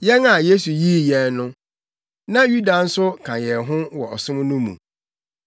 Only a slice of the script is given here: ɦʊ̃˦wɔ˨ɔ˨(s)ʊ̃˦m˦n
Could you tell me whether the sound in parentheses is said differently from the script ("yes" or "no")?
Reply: no